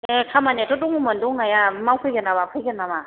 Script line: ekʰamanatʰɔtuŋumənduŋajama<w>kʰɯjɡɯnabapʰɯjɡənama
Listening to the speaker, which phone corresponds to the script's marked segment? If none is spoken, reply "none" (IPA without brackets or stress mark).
w